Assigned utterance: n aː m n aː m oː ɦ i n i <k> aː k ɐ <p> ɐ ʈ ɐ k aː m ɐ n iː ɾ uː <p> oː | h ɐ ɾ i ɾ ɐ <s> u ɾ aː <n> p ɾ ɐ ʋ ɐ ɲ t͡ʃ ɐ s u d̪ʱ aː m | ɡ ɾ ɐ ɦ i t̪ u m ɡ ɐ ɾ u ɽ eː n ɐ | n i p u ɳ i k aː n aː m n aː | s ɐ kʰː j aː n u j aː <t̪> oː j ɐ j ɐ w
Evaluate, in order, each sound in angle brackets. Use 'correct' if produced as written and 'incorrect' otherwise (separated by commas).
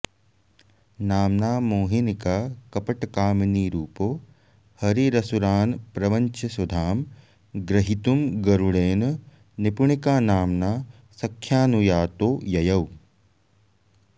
correct, correct, correct, correct, correct, correct